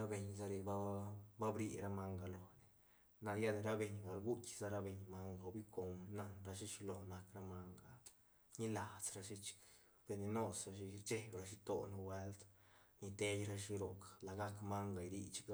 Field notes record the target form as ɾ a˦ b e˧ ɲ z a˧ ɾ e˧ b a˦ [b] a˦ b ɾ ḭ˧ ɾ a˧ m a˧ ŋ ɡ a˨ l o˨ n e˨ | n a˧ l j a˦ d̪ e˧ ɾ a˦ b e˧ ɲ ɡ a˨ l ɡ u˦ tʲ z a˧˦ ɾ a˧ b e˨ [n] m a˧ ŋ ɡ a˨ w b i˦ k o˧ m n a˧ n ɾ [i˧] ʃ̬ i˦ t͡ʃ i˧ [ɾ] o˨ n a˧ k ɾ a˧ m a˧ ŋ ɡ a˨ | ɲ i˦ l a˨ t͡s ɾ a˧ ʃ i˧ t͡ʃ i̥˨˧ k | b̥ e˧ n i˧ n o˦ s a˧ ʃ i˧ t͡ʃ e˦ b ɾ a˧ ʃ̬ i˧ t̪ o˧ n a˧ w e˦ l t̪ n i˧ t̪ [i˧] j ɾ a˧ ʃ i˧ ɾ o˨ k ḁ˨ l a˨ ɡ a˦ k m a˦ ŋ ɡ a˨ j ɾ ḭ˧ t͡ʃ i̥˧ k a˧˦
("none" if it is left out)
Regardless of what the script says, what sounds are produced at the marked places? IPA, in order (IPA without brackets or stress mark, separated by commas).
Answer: b, ɲ, a˧, l, e˧